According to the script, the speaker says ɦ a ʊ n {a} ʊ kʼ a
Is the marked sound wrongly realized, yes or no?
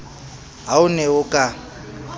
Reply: yes